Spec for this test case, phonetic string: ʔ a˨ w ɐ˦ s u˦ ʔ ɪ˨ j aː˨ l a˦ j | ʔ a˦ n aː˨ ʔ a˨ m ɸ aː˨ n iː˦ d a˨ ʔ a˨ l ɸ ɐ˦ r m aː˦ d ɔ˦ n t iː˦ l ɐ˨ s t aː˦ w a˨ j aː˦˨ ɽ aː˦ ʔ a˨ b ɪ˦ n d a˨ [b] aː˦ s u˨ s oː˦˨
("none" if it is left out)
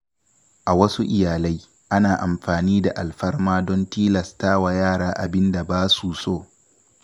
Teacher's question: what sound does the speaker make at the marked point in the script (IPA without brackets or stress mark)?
b